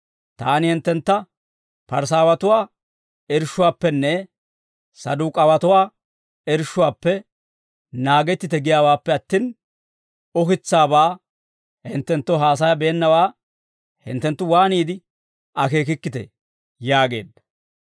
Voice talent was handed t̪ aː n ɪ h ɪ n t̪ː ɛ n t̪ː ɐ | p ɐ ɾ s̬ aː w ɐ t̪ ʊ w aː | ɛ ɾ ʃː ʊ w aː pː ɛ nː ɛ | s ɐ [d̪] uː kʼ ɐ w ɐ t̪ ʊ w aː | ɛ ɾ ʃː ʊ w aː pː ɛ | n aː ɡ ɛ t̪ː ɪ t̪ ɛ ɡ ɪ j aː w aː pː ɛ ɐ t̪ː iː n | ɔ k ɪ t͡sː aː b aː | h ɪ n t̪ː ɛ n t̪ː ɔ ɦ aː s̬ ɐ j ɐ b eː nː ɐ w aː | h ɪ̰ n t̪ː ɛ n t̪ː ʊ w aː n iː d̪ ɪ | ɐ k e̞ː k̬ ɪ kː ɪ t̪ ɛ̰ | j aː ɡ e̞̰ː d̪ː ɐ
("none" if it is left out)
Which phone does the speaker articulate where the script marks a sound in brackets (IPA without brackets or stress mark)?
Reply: d̪